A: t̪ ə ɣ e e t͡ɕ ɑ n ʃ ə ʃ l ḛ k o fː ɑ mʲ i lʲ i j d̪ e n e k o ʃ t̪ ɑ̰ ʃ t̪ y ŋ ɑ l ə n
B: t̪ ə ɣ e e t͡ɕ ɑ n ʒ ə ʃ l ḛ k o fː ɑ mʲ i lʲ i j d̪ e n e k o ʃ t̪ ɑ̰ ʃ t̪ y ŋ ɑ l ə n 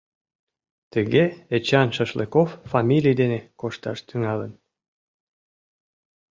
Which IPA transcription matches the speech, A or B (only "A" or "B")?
A